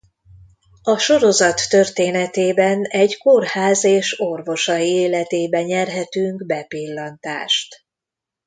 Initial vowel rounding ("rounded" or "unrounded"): rounded